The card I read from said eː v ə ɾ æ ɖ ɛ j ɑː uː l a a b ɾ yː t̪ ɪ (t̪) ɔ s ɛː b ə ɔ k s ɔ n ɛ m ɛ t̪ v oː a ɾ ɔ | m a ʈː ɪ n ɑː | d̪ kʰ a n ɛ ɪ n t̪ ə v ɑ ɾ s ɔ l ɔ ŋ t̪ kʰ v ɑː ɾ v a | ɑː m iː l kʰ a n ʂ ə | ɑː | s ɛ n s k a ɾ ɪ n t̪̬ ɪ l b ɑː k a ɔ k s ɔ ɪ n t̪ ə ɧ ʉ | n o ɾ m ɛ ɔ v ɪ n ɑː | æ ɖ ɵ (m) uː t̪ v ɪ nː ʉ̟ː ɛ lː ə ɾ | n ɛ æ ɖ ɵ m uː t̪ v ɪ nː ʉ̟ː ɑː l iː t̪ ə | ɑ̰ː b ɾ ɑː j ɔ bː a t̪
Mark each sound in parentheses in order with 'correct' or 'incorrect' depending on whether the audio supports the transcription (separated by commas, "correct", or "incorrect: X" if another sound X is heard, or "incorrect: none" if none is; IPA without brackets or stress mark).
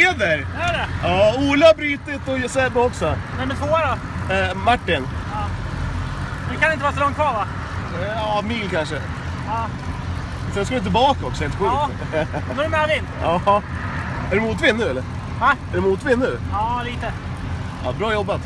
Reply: correct, correct